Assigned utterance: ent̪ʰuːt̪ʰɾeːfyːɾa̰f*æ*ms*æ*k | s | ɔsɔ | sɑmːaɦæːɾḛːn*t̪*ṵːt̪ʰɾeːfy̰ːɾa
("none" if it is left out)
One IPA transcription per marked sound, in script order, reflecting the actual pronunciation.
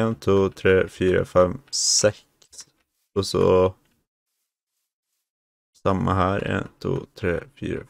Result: ɛ, ɛ, t̪ʰ

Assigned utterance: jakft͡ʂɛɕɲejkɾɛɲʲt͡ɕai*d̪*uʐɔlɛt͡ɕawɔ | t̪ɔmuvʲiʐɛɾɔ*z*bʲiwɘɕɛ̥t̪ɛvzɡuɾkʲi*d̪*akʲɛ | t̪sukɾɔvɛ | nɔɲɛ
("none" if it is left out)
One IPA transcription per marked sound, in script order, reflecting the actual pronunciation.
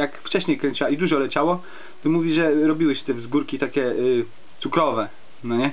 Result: d̪, none, t̪

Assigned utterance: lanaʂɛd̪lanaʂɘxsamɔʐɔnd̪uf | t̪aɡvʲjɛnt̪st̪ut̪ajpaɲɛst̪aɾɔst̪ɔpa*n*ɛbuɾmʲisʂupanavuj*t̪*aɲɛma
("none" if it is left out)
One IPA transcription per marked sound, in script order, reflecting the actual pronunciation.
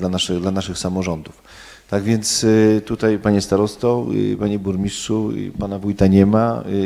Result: ɲ, t̪

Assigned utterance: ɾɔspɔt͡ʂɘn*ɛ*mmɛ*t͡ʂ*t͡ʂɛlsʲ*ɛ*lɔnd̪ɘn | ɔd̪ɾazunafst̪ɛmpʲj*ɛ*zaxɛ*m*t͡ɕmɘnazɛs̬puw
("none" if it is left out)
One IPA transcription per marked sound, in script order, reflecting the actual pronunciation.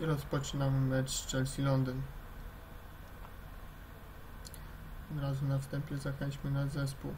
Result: a, t͡ʂ, i, ɛ, ɲ

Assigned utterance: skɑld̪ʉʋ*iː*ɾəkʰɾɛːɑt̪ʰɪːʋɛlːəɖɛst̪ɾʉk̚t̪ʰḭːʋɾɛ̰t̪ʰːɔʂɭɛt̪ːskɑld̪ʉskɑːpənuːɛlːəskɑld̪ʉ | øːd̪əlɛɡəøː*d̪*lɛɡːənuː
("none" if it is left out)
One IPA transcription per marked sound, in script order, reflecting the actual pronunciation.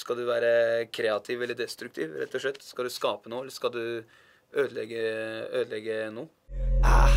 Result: æː, d̪

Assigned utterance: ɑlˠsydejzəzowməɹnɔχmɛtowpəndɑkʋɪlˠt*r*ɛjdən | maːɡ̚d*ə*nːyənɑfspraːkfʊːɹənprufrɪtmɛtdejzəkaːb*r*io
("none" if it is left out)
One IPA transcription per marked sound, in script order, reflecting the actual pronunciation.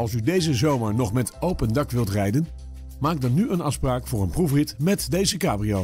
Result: r, ɑ, r

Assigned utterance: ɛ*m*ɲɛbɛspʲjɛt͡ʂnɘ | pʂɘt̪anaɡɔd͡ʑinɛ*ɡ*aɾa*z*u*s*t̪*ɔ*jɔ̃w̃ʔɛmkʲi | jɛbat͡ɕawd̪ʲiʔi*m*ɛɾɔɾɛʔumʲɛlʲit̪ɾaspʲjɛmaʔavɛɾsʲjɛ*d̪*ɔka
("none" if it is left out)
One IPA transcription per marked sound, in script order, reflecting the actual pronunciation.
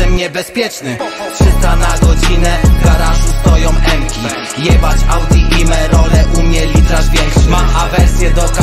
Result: m, ɡ, ʐ, s, ɔ, m, d̪

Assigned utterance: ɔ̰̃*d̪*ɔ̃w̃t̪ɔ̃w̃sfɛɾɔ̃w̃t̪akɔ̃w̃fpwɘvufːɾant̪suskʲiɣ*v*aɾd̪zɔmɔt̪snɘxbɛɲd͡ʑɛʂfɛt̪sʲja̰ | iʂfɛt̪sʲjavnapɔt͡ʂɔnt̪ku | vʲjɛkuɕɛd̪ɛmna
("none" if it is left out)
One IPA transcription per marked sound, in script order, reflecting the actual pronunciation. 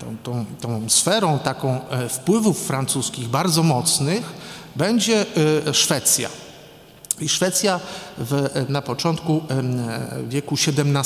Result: t̪, b

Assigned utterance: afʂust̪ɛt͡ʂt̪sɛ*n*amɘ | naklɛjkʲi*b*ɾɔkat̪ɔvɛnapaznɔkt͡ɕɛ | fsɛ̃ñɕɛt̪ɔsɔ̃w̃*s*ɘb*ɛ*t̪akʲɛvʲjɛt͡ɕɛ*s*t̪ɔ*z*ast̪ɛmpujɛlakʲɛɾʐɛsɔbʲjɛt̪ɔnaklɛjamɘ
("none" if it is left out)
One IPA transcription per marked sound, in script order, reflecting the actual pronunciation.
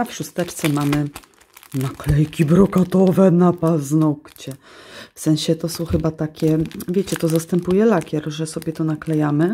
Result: m, b, x, a, none, z

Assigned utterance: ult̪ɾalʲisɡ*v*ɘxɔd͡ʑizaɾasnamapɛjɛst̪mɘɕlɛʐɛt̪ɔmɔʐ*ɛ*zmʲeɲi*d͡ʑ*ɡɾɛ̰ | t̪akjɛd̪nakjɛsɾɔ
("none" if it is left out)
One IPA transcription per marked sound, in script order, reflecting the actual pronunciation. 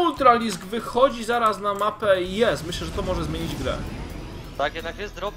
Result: v, ɛ, d͡ʑ

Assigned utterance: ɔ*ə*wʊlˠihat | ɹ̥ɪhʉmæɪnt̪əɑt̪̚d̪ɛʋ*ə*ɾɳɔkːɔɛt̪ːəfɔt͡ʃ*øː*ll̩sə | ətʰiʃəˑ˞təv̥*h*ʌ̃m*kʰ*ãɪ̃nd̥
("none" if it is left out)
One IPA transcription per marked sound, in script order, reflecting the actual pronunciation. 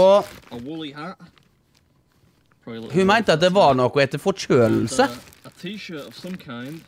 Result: ə, ɑ, øː, s, kʰ

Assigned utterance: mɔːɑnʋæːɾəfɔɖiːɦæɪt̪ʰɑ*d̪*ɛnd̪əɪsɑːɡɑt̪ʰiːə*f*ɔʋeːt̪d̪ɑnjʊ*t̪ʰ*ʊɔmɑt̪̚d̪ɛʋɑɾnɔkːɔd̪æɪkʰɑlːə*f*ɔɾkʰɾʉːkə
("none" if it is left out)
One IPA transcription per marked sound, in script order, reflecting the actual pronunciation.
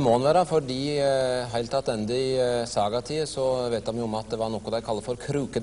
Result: t̪, s, none, f

